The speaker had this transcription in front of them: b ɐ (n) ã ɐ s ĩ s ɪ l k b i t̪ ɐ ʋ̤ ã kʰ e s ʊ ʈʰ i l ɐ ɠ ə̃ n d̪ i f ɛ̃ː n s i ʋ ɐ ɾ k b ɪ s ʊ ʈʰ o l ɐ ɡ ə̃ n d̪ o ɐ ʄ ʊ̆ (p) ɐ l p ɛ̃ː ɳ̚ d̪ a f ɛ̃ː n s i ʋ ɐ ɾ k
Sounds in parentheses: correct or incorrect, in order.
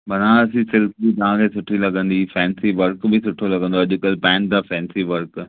correct, incorrect

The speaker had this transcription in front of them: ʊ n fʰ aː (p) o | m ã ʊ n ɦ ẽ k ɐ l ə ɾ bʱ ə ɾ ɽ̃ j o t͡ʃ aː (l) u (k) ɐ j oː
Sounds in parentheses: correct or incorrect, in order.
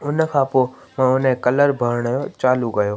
correct, correct, incorrect

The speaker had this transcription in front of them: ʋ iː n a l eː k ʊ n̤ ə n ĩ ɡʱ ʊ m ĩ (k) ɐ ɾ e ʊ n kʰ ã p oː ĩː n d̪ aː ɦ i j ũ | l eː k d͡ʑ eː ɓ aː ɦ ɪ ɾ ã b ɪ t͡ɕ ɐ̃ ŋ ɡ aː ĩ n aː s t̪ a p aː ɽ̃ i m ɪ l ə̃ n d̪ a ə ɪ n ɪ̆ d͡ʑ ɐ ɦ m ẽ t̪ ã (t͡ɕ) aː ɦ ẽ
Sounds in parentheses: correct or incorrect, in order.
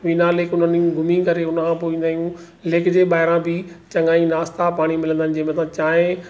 correct, correct

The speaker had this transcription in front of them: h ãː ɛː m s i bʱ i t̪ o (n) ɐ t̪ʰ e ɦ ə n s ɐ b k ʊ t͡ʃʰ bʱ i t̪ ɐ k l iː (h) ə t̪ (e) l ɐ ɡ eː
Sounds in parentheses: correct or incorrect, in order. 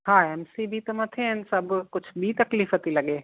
incorrect, incorrect, incorrect

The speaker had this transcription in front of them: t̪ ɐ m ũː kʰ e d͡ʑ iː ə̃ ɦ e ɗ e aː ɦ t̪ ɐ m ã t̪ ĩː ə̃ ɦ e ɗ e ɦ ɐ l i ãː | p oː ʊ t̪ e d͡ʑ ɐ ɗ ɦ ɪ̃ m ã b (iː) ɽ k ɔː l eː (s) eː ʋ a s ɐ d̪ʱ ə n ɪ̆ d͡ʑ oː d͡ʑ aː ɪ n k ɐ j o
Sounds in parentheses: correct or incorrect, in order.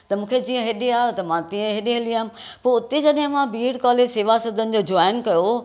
correct, correct

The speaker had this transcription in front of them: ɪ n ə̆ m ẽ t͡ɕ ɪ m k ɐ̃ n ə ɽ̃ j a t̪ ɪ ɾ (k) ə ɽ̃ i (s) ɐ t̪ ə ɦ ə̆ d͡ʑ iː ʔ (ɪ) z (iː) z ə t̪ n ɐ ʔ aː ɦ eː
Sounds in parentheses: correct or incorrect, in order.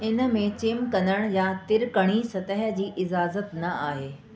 correct, correct, correct, incorrect

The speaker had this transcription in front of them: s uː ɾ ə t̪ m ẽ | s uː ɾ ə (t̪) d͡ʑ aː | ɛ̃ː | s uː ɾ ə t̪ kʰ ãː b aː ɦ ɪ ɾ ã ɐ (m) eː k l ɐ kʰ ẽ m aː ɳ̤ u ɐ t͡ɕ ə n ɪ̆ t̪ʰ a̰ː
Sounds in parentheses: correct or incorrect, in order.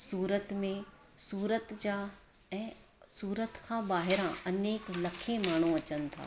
correct, incorrect

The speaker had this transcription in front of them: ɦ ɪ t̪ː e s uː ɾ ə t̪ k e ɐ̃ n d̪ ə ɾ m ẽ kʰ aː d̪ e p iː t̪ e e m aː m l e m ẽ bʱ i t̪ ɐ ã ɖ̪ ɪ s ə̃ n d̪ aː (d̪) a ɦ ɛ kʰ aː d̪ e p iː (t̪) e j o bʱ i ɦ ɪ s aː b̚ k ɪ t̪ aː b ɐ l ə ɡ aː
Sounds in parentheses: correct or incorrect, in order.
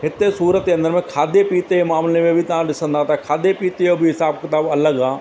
incorrect, correct

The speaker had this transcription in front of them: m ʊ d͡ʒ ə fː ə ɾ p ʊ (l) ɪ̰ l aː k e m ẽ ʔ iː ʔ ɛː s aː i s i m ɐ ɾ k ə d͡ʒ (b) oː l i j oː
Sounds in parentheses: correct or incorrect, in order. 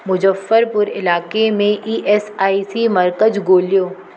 incorrect, incorrect

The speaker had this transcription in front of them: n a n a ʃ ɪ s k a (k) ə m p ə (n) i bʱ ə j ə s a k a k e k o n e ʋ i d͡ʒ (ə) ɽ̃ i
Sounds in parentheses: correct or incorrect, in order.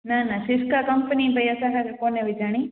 correct, correct, incorrect

